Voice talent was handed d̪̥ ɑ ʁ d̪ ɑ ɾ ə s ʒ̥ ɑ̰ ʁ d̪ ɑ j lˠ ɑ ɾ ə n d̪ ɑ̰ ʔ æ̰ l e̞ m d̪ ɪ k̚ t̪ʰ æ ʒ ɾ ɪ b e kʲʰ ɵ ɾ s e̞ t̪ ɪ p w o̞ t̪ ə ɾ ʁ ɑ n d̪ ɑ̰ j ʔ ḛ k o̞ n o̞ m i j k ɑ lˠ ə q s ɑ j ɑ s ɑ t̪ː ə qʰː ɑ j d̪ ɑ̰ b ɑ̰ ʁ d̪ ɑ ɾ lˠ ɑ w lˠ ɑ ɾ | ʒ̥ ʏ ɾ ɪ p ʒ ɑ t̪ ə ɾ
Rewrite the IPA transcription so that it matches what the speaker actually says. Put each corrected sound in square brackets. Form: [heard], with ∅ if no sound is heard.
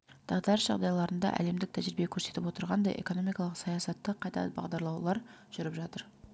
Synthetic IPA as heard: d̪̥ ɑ ʁ d̪ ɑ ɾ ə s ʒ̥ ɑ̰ ʁ d̪ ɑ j lˠ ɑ ɾ ə n d̪ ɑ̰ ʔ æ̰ l e̞ m d̪ ɪ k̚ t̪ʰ æ ʒ ɾ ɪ b e kʲʰ ɵ ɾ s e̞ t̪ ɪ p w o̞ t̪ ə ɾ ʁ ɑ n d̪ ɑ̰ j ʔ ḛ k o̞ n o̞ m i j k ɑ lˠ ə q s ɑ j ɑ s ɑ t̪ː ə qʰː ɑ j [t̪] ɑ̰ b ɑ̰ ʁ d̪ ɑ ɾ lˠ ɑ w lˠ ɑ ɾ | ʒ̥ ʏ ɾ ɪ p ʒ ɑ t̪ ə ɾ